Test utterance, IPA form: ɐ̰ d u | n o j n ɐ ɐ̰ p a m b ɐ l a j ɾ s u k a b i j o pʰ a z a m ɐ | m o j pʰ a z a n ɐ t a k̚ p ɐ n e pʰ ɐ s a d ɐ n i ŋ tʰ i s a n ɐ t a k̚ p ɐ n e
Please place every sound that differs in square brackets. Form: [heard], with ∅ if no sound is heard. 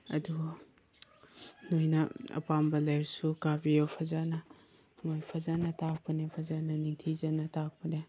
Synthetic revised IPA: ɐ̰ d u | n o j n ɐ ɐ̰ p a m b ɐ l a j ɾ s u k a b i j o pʰ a z a [n] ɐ | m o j pʰ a z a n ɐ t a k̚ p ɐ n e pʰ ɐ [z] a [n] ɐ n i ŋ tʰ i [z] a n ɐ t a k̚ p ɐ n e